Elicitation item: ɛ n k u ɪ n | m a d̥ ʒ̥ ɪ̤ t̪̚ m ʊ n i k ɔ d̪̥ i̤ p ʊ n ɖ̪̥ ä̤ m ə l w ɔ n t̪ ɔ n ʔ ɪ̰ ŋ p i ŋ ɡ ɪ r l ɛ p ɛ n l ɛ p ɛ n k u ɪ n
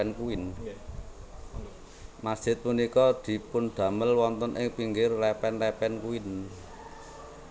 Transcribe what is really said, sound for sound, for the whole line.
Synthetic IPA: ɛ n k u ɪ n | m a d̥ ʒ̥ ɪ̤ t̪̚ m u n i k ɔ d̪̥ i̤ p ʊ n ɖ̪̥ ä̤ m ə l w ɔ n t̪ ɔ n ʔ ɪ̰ ŋ p i ŋ ɡ ɪ r l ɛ p ɛ n l ɛ p ɛ n k u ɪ n